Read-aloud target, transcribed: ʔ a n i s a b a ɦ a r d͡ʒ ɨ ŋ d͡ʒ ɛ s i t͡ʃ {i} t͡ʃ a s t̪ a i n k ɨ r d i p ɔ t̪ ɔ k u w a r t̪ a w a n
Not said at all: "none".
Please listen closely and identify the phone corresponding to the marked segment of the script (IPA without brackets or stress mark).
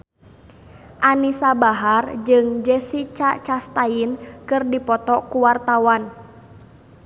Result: a